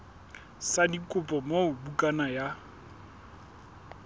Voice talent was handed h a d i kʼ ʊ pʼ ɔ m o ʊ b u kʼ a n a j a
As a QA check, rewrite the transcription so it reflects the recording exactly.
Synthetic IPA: s a d i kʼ ʊ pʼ ɔ m o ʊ b u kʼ a n a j a